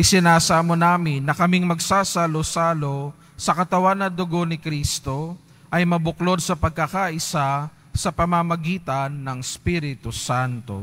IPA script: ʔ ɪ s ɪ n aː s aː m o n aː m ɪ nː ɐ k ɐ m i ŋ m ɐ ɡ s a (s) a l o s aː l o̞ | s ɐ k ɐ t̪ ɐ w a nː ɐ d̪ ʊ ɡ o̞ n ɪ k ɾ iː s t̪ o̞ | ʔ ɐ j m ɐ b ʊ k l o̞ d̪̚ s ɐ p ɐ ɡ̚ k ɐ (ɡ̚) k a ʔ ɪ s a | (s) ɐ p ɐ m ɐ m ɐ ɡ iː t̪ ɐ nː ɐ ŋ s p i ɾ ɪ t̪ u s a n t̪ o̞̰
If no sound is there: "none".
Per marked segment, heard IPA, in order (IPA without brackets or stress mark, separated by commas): s, none, s